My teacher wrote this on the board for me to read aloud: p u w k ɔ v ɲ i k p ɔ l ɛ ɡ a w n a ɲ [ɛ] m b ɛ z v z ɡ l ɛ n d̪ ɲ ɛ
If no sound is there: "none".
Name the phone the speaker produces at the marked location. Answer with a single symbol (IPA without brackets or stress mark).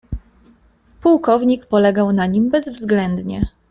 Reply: i